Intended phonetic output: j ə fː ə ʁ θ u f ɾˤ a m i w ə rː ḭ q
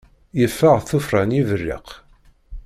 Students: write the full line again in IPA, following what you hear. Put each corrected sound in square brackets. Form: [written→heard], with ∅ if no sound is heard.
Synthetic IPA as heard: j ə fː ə ʁ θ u f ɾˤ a [m→n] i [w→v] ə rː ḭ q